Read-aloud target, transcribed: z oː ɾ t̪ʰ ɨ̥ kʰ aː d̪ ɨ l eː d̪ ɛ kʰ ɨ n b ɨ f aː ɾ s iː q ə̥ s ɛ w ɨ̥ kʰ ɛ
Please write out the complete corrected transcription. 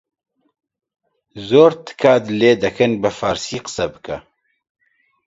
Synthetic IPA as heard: z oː ɾ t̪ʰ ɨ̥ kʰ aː d̪ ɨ l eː d̪ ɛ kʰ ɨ n b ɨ f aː ɾ s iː q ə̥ s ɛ b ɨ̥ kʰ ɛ

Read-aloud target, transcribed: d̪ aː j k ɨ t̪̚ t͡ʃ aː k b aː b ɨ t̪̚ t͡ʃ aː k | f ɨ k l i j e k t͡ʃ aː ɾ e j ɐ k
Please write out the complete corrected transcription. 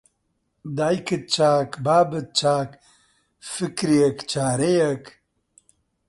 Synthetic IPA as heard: d̪ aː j k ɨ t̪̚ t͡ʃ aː k b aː b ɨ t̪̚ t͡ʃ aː k | f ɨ k ɾ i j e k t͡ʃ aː ɾ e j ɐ k

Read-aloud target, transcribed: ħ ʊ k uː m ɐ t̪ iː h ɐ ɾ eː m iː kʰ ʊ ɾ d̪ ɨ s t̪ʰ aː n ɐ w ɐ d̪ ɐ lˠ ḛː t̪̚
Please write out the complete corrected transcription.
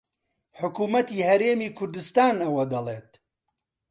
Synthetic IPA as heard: ħ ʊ k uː m ɐ t̪ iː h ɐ ɾ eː m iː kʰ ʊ ɾ d̪ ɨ s t̪ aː n ɐ w ɐ d̪ ɐ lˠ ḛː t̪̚

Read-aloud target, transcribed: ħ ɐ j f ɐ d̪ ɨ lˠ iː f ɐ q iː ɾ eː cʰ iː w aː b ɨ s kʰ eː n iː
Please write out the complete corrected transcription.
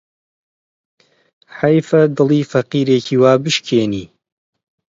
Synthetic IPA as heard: ħ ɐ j f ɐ d̪ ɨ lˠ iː f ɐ q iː ɾ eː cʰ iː w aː b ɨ ʃ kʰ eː n iː

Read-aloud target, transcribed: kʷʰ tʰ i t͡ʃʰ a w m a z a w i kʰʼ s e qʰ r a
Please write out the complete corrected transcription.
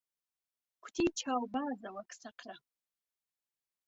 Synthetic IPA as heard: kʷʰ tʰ i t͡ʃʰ a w b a z a w a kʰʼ s a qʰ r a

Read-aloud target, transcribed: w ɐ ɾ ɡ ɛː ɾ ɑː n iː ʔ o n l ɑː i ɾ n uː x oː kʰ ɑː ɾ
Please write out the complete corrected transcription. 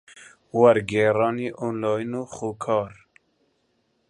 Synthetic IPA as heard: w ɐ ɾ ɡ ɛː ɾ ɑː n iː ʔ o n l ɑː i n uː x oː kʰ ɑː ɾ

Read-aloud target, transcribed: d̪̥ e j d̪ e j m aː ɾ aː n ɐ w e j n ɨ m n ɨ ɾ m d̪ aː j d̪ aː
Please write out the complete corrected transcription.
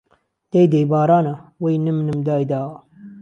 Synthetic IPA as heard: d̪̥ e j d̪ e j b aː ɾ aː n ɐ w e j n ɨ m n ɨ m d̪ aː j d̪ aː

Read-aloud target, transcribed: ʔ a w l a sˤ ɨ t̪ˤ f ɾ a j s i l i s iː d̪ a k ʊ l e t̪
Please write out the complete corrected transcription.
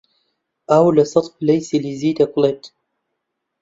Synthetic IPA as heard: ʔ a w l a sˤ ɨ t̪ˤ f l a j s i l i z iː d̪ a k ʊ l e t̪

